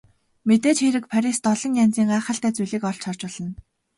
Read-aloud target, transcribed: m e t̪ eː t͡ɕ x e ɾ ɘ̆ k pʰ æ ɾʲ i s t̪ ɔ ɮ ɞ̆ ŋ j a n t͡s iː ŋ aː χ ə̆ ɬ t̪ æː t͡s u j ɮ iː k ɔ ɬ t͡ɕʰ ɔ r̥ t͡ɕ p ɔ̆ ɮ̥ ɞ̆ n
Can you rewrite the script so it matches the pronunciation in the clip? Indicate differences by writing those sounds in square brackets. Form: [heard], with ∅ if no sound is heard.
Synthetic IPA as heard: m e t̪ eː t͡ɕ x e ɾ ɘ̆ k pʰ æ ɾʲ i s t̪ ɔ ɮ ɞ̆ ŋ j a n t͡s iː ŋ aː χ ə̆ ɬ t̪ æː t͡s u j ɮ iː k ɔ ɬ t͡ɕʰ ɔ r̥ t͡ɕ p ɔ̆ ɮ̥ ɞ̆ n

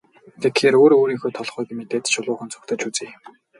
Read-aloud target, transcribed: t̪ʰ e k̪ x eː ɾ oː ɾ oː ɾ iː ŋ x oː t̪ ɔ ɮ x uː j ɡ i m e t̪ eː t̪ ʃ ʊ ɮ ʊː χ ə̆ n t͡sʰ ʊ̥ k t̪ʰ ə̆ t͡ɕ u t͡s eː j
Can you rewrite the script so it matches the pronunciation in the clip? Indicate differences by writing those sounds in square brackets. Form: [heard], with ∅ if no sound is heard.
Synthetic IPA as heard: t̪ʰ e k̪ x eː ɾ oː ɾ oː ɾ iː ŋ x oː [t̪ʰ] ɔ ɮ [χ] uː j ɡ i m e t̪ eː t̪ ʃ ʊ ɮ ʊː χ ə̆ n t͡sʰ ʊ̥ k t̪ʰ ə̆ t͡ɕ u t͡s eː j

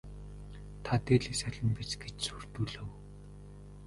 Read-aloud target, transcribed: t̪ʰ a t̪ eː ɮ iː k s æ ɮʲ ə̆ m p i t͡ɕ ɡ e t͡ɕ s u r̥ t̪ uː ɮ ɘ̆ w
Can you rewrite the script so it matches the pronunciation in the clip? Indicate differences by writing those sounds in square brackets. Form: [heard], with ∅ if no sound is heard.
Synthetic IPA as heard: t̪ʰ a t̪ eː ɮ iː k s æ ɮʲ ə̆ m p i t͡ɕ ɡ e t͡ɕ s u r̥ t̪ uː ɮ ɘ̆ w

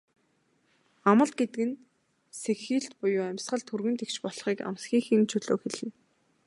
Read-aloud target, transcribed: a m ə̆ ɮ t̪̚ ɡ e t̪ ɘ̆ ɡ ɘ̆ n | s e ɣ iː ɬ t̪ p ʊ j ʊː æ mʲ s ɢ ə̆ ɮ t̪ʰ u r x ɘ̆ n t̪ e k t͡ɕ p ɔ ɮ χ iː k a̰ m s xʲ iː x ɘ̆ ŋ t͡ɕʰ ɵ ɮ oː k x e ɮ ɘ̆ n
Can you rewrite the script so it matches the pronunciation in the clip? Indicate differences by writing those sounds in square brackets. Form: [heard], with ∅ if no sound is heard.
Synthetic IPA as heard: a m ə̆ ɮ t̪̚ ɡ e t̪ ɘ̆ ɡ ɘ̆ n | s e [x] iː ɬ t̪ p ʊ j ʊː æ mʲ s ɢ ə̆ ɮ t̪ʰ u r [ɣ] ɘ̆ n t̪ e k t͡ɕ p ɔ ɮ χ iː k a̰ m s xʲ iː x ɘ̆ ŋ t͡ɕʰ ɵ ɮ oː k x e ɮ ɘ̆ n

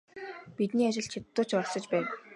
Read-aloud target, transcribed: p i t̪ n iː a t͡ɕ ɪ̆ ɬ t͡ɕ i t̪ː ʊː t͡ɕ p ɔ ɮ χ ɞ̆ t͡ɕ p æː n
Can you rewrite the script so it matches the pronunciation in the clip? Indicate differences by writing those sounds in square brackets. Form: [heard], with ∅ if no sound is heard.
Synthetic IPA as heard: p i t̪ n iː a t͡ɕ ɪ̆ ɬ [t͡ɕʰ] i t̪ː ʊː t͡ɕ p ɔ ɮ [s] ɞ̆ t͡ɕ p æː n

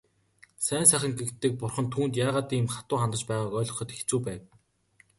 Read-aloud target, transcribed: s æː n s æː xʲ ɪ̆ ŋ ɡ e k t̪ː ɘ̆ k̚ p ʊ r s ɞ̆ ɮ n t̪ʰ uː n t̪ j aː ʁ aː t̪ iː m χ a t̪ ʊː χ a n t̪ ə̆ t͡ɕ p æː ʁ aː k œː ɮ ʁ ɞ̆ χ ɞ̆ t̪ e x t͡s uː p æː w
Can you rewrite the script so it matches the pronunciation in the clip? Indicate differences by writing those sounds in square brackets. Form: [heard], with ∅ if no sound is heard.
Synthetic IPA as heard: s æː n s æː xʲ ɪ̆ ŋ ɡ e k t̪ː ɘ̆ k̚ p ʊ r [χ] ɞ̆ [∅] n t̪ʰ uː n t̪ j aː ʁ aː t̪ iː m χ a t̪ ʊː χ a n t̪ ə̆ t͡ɕ p æː ʁ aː k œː ɮ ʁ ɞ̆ χ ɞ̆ t̪ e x t͡s uː p æː w

